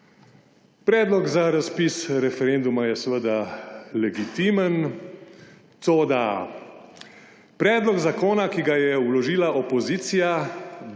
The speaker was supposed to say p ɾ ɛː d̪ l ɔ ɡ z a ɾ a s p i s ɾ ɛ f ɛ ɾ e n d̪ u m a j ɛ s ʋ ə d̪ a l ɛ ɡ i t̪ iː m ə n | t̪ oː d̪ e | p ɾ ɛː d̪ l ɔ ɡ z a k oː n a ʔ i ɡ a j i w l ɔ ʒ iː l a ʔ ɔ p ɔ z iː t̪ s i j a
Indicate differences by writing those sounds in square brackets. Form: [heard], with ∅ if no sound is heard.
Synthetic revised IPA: p ɾ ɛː d̪ l ɔ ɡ z a ɾ a s p i s ɾ ɛ f ɛ ɾ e n d̪ u m a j ɛ s ʋ ə d̪ a l ɛ ɡ i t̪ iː m ə n | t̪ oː d̪ [a] | p ɾ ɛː d̪ l ɔ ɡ z a k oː n a [k] i ɡ a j [ɛ] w l ɔ ʒ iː l a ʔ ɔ p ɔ z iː t̪ s i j a